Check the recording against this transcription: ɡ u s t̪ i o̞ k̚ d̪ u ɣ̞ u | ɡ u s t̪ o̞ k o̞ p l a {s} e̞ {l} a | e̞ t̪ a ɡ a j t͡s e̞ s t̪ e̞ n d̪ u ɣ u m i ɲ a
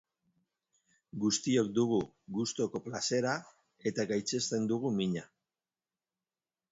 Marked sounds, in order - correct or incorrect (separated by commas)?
correct, incorrect